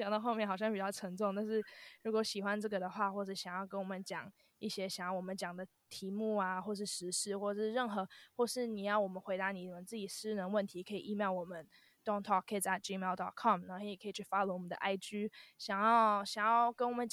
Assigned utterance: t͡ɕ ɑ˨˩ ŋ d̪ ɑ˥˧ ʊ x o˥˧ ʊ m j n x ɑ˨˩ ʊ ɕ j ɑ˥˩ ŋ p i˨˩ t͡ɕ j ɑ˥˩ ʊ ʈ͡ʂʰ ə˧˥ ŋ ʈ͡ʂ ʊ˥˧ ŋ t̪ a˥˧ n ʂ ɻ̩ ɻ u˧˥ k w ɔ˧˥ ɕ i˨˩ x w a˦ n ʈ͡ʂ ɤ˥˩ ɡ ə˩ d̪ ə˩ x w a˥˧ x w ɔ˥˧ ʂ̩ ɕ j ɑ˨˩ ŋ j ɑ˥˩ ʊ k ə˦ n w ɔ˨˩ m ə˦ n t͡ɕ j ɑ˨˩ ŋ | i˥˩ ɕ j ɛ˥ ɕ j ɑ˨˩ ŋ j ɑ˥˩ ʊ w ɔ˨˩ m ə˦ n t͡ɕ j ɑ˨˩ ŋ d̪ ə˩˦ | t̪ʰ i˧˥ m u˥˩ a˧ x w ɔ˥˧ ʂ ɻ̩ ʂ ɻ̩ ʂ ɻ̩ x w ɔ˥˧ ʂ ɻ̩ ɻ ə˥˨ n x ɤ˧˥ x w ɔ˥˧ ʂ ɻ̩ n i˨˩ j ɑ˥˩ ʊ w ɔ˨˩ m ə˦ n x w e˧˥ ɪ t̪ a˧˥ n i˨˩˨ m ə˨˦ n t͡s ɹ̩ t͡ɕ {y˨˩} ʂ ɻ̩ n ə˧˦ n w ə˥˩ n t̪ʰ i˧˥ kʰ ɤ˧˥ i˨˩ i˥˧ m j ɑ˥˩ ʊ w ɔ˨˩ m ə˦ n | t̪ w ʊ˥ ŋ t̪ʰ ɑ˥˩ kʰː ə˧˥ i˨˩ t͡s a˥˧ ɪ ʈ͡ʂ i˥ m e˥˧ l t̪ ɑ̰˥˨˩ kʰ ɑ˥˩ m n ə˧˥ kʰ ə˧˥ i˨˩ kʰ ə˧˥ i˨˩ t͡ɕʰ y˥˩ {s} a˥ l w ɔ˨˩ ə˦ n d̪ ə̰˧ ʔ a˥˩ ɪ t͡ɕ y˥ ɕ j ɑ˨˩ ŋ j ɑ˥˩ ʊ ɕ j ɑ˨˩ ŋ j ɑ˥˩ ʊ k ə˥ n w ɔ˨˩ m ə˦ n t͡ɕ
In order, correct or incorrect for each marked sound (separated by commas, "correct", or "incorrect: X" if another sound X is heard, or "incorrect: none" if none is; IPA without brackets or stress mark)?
incorrect: i˨˩, incorrect: f